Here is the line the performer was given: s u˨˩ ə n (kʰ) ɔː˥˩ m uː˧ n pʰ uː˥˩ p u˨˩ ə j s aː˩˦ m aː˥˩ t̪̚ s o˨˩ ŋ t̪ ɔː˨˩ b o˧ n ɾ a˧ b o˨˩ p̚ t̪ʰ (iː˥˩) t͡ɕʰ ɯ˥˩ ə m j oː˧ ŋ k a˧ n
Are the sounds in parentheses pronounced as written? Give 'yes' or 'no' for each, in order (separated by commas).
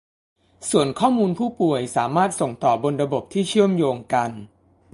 yes, yes